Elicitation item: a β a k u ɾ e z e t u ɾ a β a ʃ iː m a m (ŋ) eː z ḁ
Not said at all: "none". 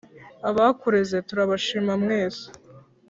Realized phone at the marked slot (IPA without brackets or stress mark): ŋ